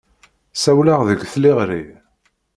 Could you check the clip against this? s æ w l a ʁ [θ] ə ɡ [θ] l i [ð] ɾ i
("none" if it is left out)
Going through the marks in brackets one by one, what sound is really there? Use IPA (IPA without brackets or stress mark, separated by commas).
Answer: ð, θ, ʁ